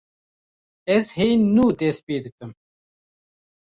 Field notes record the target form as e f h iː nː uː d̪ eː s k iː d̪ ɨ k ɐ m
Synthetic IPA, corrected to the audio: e s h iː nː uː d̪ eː s p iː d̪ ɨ k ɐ m